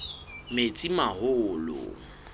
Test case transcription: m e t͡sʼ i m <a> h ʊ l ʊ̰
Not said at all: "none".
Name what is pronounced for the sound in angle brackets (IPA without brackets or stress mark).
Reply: a